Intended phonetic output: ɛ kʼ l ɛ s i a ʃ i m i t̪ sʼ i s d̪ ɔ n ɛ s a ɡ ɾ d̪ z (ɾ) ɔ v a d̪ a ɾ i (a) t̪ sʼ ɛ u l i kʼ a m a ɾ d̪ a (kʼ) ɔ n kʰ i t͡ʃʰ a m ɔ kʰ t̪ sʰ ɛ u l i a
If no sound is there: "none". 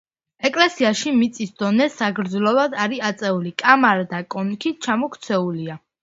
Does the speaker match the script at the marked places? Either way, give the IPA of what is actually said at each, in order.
l, a, kʼ

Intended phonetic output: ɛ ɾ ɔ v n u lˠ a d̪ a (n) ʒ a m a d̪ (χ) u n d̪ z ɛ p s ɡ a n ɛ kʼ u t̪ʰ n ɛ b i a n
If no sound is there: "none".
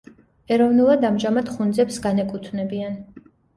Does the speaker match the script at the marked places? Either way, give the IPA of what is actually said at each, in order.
m, χ

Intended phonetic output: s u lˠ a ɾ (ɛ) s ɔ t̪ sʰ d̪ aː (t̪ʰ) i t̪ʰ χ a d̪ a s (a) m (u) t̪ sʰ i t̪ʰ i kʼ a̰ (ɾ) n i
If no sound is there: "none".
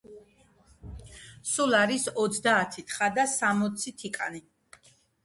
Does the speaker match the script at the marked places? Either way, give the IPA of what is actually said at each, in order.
i, t̪ʰ, a, ɔ, none

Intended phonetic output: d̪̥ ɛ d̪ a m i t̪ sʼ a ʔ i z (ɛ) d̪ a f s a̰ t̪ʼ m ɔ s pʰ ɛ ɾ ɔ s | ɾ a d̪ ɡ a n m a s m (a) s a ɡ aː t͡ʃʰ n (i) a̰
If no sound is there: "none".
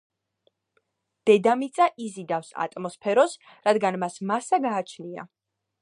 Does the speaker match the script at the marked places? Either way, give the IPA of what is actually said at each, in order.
i, a, i

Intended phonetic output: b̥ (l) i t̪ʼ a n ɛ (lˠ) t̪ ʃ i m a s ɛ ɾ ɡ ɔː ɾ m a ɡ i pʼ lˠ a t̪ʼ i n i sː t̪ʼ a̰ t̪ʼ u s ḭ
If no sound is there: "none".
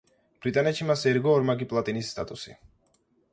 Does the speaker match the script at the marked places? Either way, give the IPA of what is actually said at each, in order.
ɾ, none

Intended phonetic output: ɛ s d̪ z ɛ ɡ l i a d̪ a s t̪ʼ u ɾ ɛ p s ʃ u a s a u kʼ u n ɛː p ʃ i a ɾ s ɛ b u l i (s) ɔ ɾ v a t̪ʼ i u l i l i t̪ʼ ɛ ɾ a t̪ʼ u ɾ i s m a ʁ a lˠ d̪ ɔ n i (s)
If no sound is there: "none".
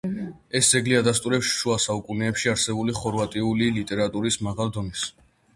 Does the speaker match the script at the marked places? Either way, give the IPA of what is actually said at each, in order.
χ, s

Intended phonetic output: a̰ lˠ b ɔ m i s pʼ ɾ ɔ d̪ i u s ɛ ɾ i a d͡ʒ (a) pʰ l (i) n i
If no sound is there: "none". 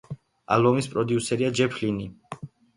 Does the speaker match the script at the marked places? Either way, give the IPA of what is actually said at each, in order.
ɛ, i

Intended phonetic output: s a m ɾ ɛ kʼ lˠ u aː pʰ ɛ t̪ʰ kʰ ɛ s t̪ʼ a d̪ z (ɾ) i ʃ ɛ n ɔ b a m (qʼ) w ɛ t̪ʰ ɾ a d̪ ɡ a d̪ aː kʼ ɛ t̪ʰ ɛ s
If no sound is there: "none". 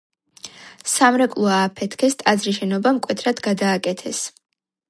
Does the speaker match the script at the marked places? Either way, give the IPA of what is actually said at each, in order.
ɾ, kʼ

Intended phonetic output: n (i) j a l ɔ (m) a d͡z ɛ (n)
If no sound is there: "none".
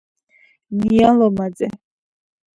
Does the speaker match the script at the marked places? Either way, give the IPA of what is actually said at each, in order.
i, m, none

